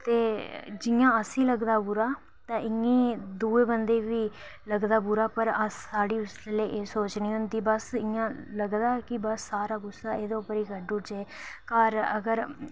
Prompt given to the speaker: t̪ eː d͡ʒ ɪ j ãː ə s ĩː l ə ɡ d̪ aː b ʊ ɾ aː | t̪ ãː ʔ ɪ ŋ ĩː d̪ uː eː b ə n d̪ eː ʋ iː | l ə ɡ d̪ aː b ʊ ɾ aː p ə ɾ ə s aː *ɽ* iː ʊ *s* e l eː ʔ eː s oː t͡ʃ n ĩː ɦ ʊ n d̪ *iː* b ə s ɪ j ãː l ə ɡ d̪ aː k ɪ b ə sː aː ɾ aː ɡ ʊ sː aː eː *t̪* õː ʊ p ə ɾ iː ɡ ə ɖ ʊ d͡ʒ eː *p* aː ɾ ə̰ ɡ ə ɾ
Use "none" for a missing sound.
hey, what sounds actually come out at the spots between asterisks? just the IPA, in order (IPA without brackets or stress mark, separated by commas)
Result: ɽ, s, iː, d̪, k